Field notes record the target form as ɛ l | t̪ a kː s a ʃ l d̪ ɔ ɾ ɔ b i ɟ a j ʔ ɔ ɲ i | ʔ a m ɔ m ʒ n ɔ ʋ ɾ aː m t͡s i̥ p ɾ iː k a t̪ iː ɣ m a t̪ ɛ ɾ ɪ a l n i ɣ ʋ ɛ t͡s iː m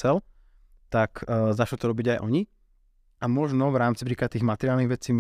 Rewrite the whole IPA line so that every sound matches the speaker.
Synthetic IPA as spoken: ɛ l | t̪ a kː z a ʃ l t̪ ɔ ɾ ɔ b i ɟ a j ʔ ɔ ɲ i | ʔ a m ɔ ʒ n ɔ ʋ ɾ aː m t͡s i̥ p ɾ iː k a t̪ iː ɣ m a t̪ ɛ ɾ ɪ a l n i ɣ ʋ ɛ t͡s iː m